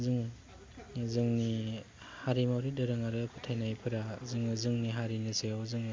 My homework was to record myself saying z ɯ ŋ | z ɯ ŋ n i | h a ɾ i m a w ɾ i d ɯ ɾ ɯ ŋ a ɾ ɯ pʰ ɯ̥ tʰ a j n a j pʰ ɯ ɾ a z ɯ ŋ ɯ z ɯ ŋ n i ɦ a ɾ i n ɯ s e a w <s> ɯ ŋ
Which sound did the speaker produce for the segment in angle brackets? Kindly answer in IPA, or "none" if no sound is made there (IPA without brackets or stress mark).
z